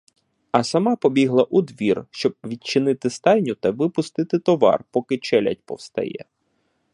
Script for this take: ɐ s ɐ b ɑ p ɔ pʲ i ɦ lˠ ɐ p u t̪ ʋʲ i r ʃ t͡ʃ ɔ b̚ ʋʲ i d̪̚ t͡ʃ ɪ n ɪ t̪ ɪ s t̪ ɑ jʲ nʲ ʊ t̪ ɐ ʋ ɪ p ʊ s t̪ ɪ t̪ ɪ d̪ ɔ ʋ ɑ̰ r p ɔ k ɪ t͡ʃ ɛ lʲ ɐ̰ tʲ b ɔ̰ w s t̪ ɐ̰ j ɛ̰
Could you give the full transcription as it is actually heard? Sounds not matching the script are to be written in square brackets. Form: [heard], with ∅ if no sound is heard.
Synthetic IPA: ɐ s ɐ [m] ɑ p ɔ [bʲ] i ɦ lˠ ɐ [ʔ] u [d̪] ʋʲ i r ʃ t͡ʃ ɔ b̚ ʋʲ i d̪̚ t͡ʃ ɪ n ɪ t̪ ɪ s t̪ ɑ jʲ nʲ ʊ t̪ ɐ ʋ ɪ p ʊ s t̪ ɪ t̪ ɪ [t̪] ɔ ʋ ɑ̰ r p ɔ k ɪ t͡ʃ ɛ lʲ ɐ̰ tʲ [p] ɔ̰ w s t̪ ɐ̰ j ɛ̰

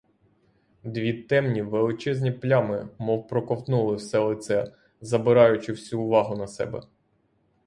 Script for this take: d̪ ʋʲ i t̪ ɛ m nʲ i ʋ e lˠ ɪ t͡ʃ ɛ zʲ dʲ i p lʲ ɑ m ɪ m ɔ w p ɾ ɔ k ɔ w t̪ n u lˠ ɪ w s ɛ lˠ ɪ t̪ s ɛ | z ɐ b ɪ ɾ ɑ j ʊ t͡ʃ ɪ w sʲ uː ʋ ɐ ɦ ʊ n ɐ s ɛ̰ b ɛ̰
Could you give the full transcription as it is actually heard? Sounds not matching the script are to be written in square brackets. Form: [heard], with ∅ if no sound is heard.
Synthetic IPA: d̪ ʋʲ i t̪ ɛ m nʲ i ʋ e lˠ ɪ t͡ʃ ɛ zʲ [nʲ] i p lʲ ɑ m ɪ m ɔ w p ɾ ɔ k ɔ w t̪ n u lˠ ɪ w s ɛ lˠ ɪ t̪ s ɛ | z ɐ b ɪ ɾ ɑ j ʊ t͡ʃ ɪ w sʲ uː ʋ [ɑ] ɦ ʊ n ɐ s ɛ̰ b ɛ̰

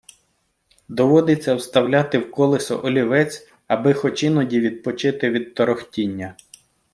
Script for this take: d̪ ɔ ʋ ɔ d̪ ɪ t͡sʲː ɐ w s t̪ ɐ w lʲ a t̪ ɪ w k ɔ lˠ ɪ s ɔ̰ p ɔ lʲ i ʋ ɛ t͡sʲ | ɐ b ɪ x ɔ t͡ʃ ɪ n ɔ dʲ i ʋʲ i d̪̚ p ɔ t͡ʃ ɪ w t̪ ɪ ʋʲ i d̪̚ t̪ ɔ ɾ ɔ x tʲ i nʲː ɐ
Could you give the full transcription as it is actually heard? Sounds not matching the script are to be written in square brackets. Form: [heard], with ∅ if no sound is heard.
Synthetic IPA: d̪ ɔ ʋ ɔ d̪ ɪ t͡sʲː ɐ w s t̪ ɐ w lʲ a t̪ ɪ w k ɔ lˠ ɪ s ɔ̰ [ʔ] ɔ lʲ i ʋ ɛ t͡sʲ | ɐ b ɪ x ɔ t͡ʃ ɪ n ɔ dʲ i ʋʲ i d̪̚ p ɔ t͡ʃ ɪ [∅] t̪ ɪ ʋʲ i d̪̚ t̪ ɔ ɾ ɔ x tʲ i nʲː ɐ

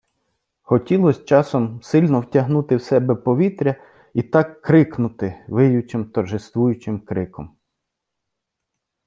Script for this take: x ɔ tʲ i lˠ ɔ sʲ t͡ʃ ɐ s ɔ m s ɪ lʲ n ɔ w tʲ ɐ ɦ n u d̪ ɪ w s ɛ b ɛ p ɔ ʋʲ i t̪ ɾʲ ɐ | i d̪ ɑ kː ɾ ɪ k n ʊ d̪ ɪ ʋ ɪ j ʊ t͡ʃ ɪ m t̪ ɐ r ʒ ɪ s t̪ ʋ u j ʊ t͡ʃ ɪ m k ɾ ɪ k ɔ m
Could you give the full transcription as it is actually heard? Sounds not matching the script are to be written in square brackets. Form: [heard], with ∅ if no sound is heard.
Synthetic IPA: x ɔ tʲ i lˠ ɔ sʲ t͡ʃ [ɑ] s ɔ m s ɪ lʲ n ɔ w tʲ ɐ ɦ n u [t̪] ɪ w s ɛ b ɛ p ɔ ʋʲ i t̪ ɾʲ ɐ | i [t̪] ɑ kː ɾ ɪ k n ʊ [t̪] ɪ ʋ ɪ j ʊ t͡ʃ ɪ m t̪ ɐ r ʒ ɪ s t̪ ʋ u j ʊ t͡ʃ ɪ m k ɾ ɪ k ɔ m

